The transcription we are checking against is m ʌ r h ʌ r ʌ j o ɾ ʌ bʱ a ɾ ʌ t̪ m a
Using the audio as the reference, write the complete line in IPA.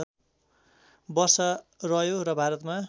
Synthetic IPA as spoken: b ʌ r s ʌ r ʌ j o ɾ ʌ bʱ a ɾ ʌ t̪ m a